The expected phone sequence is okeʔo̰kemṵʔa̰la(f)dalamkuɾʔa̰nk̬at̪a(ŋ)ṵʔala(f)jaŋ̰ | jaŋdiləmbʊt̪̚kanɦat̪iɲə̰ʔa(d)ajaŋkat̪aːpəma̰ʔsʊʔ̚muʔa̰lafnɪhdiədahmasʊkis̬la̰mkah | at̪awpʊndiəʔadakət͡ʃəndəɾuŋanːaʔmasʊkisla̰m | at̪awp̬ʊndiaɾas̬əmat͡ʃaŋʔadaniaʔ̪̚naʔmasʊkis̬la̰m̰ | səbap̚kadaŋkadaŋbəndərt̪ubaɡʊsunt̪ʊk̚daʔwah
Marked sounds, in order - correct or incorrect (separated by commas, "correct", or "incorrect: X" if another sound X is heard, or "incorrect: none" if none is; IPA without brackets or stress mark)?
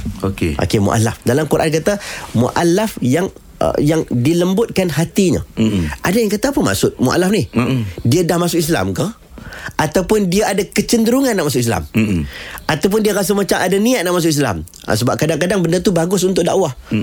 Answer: correct, incorrect: m, correct, correct